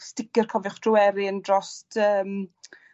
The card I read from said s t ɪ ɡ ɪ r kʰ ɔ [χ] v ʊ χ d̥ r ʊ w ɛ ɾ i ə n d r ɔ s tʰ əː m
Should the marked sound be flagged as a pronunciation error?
yes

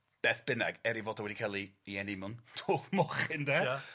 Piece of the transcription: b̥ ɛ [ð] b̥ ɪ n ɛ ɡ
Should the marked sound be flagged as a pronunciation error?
yes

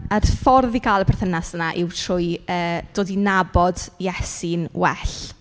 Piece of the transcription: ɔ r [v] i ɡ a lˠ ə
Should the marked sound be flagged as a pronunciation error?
yes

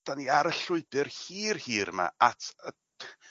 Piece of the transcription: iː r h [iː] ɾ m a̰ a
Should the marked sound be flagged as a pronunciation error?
no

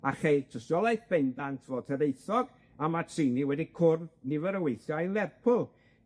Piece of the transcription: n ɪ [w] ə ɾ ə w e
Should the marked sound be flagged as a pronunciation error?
yes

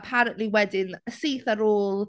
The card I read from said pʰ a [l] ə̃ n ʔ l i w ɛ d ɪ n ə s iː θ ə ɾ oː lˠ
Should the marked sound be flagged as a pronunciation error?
yes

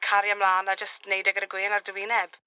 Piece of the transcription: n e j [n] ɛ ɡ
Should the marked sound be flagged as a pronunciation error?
yes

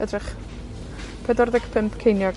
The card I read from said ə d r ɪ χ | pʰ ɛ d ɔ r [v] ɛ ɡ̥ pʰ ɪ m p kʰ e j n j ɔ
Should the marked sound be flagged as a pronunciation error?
yes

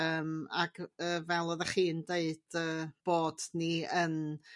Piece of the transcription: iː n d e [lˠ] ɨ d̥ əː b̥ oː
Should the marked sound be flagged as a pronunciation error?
yes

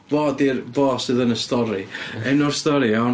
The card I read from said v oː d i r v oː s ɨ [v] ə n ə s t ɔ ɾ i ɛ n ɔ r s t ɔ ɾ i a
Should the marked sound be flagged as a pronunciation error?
yes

